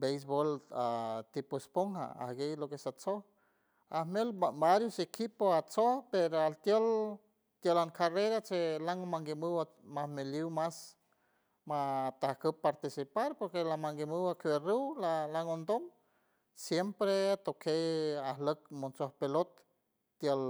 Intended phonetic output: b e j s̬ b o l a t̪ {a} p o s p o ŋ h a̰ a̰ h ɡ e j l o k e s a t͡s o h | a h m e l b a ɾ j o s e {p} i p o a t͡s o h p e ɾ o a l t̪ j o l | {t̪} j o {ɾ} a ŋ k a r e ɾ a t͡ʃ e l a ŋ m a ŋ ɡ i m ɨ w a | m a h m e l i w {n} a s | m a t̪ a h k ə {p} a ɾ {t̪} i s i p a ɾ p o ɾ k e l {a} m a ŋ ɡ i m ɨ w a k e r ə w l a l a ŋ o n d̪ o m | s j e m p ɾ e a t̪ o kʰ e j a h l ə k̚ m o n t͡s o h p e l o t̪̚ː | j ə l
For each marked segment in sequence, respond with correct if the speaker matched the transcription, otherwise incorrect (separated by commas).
incorrect, incorrect, correct, incorrect, incorrect, correct, correct, correct